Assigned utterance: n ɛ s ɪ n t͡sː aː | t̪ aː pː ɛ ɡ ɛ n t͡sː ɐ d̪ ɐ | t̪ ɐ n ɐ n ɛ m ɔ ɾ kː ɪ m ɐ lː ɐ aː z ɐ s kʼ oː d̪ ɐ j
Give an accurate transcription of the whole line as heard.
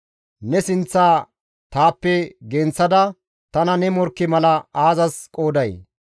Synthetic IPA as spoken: n ɛ s ɪ n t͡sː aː | t̪ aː pː ɛ ɡ ɛ n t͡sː ɐ d̪ ɐ | t̪ ɐ n ɐ n ɛ m ɔ ɾ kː ɪ m ɐ l ɐ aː z ɐ s kʼ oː d̪ ɐ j